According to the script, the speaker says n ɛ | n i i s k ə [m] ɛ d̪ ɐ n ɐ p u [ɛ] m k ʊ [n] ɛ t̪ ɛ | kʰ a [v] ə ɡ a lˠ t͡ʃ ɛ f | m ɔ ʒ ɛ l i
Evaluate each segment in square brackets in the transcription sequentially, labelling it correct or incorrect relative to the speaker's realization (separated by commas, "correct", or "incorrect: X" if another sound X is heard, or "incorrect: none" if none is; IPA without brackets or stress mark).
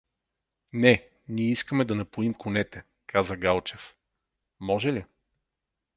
correct, incorrect: i, correct, incorrect: z